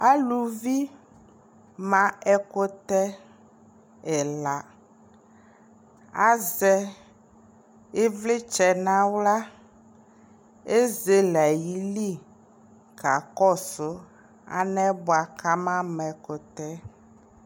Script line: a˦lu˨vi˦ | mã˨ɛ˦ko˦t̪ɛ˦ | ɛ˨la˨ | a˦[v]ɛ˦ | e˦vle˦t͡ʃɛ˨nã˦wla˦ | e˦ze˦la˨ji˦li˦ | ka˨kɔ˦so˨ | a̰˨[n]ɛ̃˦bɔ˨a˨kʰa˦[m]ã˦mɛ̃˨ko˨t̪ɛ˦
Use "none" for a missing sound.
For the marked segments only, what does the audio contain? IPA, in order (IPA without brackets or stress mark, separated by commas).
z, n, m